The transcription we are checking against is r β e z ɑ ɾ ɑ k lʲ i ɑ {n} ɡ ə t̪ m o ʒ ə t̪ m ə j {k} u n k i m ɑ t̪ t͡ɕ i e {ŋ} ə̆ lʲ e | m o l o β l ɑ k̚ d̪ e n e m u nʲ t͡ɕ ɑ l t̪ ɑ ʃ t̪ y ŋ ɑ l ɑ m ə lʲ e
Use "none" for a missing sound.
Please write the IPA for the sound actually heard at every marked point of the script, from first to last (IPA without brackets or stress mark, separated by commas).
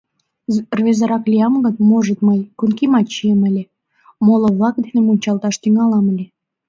m, k, m